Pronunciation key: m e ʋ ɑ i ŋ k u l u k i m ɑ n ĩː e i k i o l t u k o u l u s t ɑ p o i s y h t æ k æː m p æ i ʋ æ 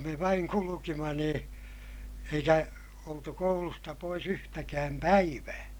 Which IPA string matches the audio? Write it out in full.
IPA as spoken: m e ʋ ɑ i ŋ k u l u k i m ɑ n ĩː e i k æ o l t u k o u l u s t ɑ p o i s y h t æ k æː m p æ i ʋ æː